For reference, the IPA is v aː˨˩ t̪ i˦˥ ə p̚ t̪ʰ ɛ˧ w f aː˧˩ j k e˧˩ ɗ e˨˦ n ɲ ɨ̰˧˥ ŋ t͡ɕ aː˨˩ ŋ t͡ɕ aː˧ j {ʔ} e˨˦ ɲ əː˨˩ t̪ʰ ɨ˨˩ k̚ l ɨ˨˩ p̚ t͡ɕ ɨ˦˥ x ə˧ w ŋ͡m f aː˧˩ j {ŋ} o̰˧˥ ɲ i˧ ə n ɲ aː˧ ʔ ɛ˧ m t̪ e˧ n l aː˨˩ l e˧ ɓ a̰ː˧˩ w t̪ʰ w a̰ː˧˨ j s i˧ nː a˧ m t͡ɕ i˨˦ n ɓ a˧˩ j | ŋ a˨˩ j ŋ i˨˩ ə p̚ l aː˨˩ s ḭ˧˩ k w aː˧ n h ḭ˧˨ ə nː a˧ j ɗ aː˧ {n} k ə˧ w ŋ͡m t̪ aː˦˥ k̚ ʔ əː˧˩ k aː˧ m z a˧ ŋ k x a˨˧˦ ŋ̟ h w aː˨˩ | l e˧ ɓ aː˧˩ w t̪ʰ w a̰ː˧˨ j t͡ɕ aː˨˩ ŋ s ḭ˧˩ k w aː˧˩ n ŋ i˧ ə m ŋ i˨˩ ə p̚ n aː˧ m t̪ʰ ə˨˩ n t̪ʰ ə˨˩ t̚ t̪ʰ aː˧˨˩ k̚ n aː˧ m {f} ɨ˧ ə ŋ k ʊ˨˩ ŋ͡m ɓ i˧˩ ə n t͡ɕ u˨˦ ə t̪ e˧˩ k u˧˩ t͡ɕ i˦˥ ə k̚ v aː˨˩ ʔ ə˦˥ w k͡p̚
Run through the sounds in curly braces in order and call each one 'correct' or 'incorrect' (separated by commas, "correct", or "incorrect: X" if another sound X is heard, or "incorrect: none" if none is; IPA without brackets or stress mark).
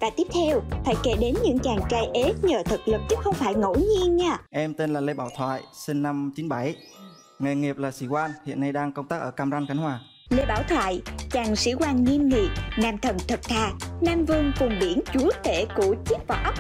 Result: correct, correct, incorrect: ŋ, incorrect: v